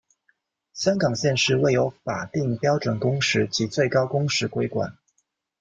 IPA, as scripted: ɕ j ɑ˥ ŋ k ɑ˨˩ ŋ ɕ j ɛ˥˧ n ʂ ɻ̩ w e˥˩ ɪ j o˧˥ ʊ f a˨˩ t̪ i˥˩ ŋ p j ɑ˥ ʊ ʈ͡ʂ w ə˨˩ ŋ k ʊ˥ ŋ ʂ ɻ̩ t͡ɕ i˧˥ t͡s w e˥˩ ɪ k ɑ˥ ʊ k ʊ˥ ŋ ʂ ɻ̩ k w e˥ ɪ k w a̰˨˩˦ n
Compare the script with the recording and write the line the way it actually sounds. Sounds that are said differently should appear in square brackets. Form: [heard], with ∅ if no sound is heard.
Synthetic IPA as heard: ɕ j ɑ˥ ŋ k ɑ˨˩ ŋ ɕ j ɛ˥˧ n ʂ ɻ̩ w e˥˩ ɪ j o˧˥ ʊ f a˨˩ t̪ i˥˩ ŋ p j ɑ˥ ʊ ʈ͡ʂ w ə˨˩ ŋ k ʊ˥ ŋ ʂ ɻ̩ t͡ɕ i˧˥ t͡s w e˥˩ ɪ k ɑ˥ ʊ k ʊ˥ ŋ ʂ ɻ̩ k w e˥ ɪ k w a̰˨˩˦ n